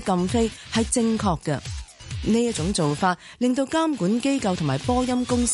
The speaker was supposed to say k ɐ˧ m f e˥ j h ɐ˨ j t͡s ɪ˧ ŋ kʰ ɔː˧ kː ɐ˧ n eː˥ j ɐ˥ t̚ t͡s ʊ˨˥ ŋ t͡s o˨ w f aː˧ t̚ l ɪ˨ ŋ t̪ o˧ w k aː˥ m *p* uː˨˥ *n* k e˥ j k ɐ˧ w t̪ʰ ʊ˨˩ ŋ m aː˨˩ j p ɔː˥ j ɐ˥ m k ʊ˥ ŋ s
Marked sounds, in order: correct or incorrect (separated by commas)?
incorrect, correct